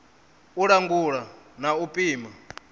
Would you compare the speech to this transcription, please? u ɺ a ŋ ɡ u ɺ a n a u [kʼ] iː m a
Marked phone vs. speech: incorrect: pʼ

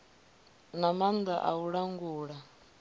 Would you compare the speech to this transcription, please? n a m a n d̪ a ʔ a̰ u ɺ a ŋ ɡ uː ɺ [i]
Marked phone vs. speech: incorrect: a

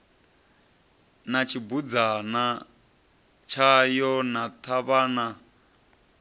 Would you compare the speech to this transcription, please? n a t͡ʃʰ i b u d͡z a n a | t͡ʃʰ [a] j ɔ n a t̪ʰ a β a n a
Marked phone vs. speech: correct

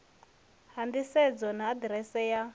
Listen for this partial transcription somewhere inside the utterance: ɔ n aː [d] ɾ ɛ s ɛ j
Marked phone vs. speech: correct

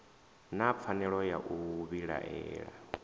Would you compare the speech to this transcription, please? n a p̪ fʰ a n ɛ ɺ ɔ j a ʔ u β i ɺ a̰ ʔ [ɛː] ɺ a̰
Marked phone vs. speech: correct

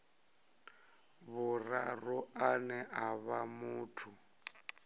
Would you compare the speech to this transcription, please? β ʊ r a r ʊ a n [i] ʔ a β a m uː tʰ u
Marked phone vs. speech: incorrect: ɛ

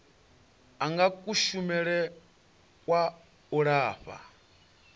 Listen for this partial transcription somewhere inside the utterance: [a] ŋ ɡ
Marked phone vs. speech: correct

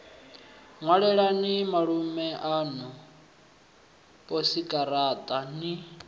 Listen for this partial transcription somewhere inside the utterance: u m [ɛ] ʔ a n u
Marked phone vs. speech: correct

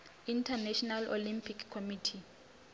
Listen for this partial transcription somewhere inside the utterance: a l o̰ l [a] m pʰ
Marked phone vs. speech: incorrect: i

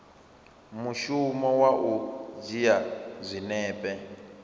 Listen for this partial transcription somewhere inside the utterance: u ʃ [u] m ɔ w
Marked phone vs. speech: correct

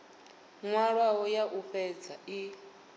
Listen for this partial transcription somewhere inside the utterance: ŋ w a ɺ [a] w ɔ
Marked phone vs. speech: correct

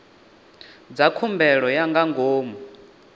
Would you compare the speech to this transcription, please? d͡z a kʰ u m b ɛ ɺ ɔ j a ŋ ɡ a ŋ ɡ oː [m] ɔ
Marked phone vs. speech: correct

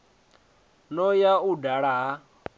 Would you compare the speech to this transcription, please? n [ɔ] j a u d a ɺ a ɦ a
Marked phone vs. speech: correct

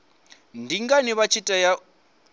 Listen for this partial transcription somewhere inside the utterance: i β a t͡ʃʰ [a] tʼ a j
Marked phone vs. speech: incorrect: i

